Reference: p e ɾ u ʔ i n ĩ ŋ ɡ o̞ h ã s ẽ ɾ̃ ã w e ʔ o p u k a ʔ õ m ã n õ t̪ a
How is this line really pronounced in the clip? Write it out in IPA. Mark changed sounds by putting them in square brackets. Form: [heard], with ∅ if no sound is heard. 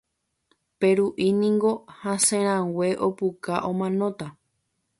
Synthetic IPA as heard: p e ɾ u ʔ i n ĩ ŋ ɡ o̞ h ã s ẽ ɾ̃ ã w e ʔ o p u k a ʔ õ m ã n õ t̪ a